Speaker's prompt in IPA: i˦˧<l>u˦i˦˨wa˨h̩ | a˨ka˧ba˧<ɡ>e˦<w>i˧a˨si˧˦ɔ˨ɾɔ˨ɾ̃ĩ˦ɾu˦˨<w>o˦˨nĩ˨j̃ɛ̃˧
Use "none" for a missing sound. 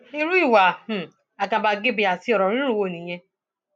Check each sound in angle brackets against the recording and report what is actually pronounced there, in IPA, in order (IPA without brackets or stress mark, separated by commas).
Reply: ɾ, ɡ, b, w